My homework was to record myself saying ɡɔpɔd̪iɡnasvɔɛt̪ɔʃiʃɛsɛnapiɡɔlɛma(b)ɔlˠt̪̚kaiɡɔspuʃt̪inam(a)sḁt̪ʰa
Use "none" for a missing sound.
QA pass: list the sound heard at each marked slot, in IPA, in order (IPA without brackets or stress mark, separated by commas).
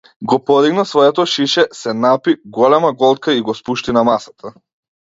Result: ɡ, a